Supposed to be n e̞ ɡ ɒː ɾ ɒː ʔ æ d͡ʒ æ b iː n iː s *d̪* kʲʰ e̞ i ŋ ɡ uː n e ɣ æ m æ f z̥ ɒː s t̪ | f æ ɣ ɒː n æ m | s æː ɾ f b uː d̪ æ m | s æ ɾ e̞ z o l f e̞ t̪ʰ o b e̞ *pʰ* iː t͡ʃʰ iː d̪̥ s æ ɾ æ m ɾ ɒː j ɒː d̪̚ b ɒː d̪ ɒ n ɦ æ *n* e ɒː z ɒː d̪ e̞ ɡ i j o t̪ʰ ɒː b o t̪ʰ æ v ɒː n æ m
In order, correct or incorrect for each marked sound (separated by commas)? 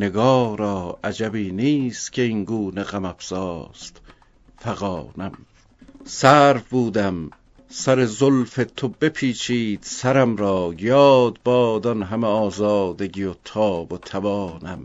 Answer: incorrect, correct, incorrect